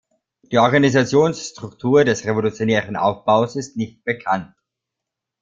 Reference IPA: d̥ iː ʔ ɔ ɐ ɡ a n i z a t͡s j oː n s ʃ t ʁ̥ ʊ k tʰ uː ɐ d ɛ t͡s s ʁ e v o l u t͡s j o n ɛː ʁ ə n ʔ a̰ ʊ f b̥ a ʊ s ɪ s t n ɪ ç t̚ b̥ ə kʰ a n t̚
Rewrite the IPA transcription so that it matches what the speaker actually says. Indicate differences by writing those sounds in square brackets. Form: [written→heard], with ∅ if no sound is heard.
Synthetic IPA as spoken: d̥ iː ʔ ɔ ɐ ɡ a n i z a t͡s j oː n s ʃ t ʁ̥ ʊ k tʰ uː ɐ d ɛ [t͡s→∅] s ʁ e v o l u t͡s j o n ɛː ʁ ə n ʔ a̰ ʊ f b̥ a ʊ s ɪ s t n ɪ ç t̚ b̥ ə kʰ a n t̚